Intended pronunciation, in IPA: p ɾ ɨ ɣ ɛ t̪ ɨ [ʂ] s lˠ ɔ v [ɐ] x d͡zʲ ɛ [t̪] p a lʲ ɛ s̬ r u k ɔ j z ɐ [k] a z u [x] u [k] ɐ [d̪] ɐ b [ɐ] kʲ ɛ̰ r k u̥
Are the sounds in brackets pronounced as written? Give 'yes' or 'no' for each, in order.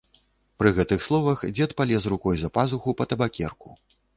no, yes, yes, no, yes, no, no, no

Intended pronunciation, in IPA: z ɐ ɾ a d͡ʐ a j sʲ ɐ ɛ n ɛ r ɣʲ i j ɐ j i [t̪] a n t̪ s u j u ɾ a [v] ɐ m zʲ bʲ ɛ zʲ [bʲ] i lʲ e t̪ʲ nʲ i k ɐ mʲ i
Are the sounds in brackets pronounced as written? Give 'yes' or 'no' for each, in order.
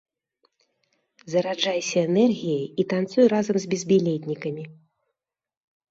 yes, no, yes

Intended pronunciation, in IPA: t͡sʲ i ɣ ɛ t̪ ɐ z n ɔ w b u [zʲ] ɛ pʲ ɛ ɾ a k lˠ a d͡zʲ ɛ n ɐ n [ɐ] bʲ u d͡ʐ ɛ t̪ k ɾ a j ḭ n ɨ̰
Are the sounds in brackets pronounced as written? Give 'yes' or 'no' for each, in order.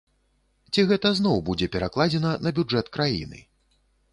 no, yes

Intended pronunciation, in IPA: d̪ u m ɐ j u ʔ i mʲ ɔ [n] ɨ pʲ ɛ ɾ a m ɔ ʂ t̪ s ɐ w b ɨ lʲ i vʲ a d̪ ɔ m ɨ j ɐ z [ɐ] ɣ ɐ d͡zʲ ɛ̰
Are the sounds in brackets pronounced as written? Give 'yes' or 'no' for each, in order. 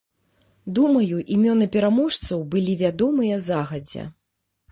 yes, no

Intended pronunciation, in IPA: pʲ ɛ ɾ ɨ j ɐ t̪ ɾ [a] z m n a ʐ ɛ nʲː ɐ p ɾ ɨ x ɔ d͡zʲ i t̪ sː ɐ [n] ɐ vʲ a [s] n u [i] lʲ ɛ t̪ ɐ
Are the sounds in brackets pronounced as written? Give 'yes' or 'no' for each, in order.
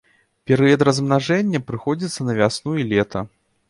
no, yes, yes, yes

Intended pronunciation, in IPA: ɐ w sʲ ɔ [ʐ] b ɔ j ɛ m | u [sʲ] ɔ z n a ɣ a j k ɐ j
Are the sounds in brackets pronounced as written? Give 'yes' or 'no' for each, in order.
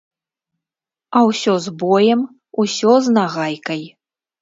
no, yes

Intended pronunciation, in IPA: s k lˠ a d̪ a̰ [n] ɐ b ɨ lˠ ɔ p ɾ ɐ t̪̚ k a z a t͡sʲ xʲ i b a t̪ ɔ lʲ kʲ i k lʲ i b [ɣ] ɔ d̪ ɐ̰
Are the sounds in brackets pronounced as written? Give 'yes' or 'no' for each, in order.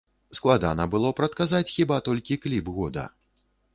yes, yes

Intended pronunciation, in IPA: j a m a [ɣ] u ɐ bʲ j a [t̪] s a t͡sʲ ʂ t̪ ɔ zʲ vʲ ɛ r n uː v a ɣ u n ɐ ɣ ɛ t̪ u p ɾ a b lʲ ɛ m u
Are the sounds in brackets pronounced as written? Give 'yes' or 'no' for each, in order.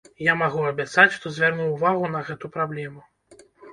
yes, yes

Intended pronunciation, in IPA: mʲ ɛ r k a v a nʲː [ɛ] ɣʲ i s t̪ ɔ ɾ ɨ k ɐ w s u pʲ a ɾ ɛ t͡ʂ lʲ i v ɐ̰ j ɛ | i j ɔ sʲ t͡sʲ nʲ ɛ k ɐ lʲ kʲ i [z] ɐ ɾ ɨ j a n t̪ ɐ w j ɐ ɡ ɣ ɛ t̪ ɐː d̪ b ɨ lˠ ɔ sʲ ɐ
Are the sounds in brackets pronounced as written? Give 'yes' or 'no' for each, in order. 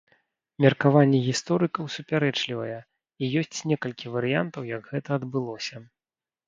yes, no

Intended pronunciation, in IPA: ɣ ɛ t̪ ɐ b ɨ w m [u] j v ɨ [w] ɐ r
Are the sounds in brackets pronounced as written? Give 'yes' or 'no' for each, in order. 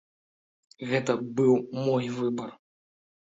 no, no

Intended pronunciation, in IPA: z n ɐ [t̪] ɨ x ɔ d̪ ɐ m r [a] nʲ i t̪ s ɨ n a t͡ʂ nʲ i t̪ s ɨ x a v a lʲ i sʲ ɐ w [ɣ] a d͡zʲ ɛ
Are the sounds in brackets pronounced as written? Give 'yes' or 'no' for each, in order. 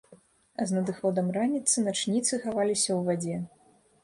no, yes, no

